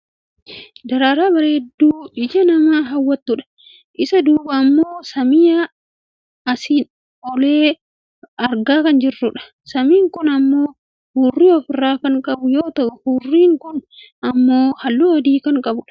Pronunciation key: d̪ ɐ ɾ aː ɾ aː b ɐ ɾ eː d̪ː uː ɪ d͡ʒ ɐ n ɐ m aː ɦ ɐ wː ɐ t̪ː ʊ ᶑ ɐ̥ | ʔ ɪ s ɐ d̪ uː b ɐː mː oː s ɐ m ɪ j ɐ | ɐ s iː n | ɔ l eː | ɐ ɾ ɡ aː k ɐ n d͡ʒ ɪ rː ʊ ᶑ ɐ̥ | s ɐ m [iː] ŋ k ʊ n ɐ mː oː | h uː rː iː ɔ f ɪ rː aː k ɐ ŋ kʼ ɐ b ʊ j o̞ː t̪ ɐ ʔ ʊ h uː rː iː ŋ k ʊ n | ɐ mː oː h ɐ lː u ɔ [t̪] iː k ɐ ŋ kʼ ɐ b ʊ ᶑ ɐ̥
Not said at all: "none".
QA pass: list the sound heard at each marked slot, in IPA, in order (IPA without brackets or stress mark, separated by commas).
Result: iː, d̪